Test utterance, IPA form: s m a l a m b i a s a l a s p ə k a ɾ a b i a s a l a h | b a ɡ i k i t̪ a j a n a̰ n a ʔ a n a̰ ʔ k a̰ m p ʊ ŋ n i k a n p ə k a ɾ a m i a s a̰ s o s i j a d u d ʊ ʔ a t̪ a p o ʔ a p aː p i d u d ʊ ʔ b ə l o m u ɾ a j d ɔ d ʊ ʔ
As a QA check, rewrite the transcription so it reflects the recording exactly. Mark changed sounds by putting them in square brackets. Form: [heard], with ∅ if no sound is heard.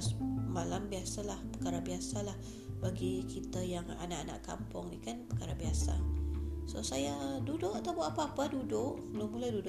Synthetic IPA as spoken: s m a l a m b i a s a l a [h] p ə k a ɾ a b i a s a l a h | b a ɡ i k i t̪ a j a [ŋ] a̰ n a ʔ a n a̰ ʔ k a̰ m p ʊ ŋ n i k a n p ə k a ɾ a [b] i a s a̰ s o s [a] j a d u d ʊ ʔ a t̪ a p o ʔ a p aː p [a] d u d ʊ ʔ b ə l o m u [l] a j d [u] d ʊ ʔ